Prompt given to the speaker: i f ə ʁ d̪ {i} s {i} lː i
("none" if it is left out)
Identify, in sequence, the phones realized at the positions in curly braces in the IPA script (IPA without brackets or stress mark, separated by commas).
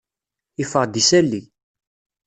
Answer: i, æ